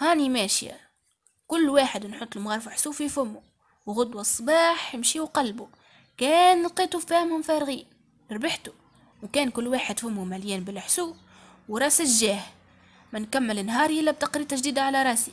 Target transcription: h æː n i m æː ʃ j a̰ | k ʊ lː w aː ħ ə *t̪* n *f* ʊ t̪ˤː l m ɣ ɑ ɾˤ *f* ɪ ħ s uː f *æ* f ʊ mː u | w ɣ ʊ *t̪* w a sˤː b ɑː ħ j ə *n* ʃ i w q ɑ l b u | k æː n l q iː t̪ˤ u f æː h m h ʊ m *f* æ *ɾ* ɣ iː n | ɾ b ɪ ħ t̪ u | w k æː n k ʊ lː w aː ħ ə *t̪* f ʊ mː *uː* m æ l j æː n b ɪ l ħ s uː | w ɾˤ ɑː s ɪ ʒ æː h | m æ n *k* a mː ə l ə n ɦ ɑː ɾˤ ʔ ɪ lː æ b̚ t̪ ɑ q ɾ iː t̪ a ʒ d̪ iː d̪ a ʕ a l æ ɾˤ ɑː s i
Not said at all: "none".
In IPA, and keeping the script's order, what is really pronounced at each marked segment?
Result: d̪, ħ, f, i, d̪, m, f, ɾ, d̪, u, k

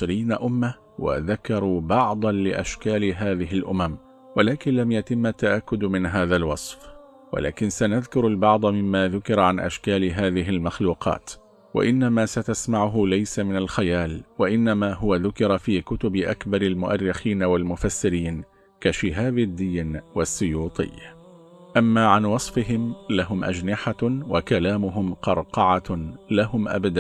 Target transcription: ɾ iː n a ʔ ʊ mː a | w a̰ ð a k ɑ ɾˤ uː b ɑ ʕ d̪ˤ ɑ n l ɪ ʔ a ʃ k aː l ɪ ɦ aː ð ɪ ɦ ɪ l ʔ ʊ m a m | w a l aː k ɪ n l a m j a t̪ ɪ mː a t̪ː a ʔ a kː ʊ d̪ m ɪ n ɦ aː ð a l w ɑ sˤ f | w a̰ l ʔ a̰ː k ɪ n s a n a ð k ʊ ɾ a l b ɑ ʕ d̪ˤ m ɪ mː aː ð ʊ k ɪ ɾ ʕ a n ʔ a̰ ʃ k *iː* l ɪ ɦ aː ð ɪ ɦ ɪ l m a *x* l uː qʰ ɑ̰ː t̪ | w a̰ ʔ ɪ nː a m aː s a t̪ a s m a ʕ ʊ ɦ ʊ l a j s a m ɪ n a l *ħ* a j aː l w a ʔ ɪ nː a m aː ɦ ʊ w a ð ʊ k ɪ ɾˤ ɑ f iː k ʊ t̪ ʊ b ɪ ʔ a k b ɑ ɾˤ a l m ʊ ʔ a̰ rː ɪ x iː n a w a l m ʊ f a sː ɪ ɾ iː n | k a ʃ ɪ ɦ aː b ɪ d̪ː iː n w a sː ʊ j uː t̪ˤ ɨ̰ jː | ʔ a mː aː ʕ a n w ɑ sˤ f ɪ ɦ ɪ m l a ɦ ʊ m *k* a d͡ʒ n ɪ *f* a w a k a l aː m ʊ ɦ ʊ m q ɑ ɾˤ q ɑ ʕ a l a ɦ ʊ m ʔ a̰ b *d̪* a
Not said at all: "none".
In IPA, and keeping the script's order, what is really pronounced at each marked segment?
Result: aː, x, x, ʔ, ħ, d̪

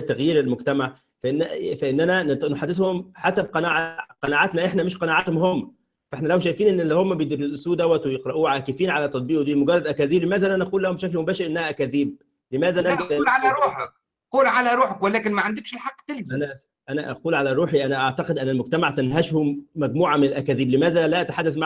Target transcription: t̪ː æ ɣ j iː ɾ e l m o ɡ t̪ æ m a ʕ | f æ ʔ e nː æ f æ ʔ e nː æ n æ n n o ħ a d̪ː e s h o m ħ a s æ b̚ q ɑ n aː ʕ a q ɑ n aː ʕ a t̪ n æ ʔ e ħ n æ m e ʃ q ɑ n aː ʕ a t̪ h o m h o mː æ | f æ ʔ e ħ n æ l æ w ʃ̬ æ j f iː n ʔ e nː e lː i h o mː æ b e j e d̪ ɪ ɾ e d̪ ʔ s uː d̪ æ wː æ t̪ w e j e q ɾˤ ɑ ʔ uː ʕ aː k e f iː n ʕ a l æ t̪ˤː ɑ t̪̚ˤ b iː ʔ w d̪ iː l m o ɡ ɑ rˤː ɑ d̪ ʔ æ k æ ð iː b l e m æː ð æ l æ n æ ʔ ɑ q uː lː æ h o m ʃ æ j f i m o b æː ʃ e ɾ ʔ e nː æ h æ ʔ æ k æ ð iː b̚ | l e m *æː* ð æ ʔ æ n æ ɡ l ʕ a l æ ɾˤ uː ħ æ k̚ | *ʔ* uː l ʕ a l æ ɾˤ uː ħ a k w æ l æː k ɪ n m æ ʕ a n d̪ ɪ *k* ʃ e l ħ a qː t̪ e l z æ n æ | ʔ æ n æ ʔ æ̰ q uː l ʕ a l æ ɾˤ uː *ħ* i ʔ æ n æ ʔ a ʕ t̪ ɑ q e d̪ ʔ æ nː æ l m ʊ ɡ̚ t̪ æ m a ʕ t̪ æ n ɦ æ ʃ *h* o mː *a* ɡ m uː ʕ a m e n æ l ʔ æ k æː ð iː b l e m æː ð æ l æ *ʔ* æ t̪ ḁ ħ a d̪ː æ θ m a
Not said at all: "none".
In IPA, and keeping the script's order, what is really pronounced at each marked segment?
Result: æː, q, k, ħ, h, æ, ʔ

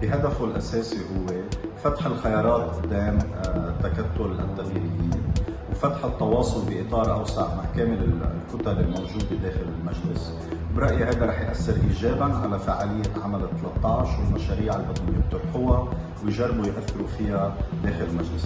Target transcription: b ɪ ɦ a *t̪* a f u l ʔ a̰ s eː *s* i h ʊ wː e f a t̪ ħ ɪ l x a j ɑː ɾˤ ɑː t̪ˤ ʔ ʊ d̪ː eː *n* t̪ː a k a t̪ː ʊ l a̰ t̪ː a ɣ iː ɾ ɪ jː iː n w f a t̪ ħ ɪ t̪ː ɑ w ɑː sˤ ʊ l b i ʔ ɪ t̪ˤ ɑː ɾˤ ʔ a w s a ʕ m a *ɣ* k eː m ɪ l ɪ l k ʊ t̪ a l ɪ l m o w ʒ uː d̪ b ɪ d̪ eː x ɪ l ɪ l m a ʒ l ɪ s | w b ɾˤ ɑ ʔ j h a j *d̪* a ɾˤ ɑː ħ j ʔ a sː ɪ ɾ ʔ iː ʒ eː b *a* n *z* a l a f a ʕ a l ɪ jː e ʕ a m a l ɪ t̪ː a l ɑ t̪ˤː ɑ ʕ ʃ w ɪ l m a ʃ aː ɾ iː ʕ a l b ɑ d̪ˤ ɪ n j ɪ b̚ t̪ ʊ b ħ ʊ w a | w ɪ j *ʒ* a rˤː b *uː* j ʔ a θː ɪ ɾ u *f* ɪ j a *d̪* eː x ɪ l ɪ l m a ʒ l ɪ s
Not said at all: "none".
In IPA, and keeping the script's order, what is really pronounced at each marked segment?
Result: d̪, s, m, ʕ, d̪, a, ʕ, ʒ, u, f, d̪

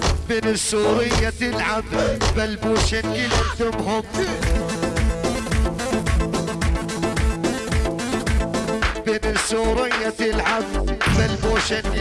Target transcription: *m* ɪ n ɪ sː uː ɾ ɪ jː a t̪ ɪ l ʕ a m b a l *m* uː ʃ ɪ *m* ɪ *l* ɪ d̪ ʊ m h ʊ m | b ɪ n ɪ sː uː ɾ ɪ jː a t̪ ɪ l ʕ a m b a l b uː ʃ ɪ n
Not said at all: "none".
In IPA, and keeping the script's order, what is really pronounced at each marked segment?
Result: b, b, n, l

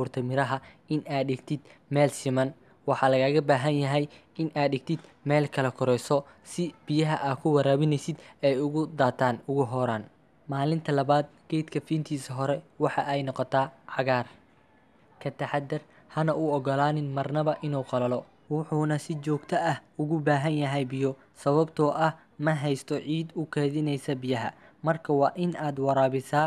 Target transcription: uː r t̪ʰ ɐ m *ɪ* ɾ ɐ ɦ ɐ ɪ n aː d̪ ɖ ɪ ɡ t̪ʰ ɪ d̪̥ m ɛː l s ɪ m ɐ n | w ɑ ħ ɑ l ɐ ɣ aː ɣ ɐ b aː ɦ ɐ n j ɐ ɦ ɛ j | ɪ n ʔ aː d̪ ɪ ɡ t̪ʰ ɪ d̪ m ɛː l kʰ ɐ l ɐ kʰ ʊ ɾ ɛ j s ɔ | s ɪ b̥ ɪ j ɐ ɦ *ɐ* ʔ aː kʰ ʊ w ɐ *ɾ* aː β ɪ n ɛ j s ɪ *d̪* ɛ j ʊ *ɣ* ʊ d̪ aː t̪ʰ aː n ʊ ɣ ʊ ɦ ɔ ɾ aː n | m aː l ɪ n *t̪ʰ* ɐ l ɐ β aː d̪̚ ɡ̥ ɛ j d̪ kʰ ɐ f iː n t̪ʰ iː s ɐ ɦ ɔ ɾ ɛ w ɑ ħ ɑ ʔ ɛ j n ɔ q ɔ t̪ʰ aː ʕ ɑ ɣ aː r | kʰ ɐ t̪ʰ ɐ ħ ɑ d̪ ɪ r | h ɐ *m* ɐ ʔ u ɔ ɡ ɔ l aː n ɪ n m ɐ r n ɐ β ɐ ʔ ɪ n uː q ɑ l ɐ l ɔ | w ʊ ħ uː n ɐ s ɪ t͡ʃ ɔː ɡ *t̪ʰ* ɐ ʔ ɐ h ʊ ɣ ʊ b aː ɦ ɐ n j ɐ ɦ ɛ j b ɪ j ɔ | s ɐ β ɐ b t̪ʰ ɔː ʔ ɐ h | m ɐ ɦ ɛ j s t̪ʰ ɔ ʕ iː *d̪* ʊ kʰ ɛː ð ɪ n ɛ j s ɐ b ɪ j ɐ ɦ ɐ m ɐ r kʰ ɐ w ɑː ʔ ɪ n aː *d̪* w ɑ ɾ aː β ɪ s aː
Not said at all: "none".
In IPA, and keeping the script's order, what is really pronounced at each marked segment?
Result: ɪ, ɐ, ɾ, d̪, ɣ, t̪ʰ, n, t̪ʰ, d̪, d̪

